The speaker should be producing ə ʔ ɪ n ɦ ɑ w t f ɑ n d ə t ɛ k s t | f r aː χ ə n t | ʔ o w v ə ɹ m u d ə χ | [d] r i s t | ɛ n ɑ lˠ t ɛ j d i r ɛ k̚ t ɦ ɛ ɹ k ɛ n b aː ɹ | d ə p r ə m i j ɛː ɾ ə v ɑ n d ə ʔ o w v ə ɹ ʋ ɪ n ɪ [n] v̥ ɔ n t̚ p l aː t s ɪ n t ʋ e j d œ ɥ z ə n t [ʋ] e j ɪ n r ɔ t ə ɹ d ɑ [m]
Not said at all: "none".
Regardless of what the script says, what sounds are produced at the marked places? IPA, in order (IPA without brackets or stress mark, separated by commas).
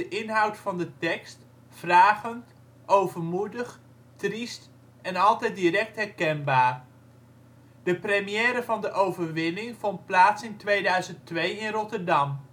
t, ŋ, ʋ, m